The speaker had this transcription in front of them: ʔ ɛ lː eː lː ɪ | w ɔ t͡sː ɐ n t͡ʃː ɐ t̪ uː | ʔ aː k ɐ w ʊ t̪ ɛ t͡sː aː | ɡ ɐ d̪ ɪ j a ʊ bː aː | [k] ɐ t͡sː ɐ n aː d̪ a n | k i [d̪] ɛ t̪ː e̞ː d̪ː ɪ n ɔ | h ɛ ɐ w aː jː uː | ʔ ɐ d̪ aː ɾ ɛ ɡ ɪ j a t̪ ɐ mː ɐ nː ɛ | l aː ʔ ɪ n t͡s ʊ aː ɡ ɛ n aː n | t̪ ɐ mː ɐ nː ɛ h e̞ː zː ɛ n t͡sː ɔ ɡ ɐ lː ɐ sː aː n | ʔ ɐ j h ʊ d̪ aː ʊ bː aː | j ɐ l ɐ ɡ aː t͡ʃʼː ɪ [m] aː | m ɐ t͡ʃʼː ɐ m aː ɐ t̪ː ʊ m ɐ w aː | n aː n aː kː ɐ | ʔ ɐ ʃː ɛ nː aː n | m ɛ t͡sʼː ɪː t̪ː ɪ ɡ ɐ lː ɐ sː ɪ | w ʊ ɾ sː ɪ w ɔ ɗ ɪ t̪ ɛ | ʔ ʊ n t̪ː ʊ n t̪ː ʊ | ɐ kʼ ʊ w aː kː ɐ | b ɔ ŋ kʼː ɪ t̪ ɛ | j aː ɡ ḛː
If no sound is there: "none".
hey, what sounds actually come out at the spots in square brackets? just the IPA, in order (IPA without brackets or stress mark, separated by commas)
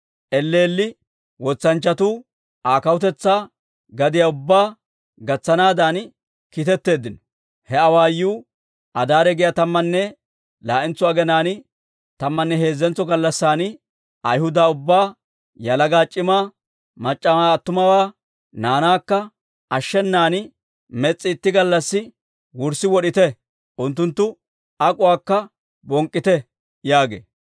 ɡ, t̪, m